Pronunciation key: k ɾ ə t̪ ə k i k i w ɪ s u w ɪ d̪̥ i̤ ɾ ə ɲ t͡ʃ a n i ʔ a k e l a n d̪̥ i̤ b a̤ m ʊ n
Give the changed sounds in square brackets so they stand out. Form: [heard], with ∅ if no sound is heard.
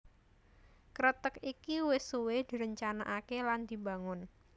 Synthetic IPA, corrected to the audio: k ɾ ə t̪ ə k i k i w ɪ s u w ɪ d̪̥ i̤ ɾ ə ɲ t͡ʃ a n [a] ʔ a k e l a n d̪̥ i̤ b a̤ [ŋ] ʊ n